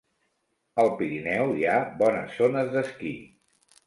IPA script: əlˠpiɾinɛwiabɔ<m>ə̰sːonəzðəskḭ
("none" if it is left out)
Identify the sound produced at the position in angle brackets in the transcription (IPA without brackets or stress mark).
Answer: n